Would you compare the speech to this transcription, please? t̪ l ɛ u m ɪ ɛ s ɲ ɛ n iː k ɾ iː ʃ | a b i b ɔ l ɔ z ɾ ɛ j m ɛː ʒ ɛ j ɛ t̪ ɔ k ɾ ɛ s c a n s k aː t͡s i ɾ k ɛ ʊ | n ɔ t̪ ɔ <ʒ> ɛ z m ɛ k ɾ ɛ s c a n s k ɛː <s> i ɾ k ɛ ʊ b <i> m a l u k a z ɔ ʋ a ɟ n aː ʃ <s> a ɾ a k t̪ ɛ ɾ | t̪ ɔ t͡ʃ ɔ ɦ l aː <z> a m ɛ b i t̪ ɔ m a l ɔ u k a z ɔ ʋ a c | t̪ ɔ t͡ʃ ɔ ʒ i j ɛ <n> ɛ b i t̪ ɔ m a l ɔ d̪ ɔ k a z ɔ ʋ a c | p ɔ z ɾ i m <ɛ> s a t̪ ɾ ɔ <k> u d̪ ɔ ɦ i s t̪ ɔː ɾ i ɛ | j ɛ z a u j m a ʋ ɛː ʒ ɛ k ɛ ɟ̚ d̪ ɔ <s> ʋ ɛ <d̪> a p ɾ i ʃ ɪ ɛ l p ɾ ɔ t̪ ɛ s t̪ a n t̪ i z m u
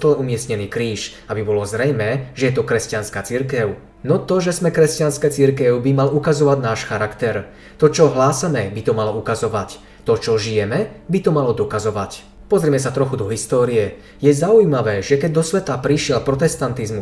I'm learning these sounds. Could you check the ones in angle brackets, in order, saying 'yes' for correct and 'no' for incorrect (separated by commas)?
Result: yes, no, yes, no, no, no, yes, no, yes, no